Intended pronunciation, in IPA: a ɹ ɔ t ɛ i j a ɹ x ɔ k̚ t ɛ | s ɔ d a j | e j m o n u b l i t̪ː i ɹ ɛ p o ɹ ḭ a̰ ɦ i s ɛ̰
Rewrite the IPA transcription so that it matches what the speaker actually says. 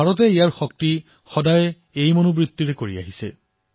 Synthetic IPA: a ɹ ɔ t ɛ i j a ɹ x ɔ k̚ t i | x ɔ d a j | e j m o n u b ɹ i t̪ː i ɹ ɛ k o ɹ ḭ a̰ ɦ i s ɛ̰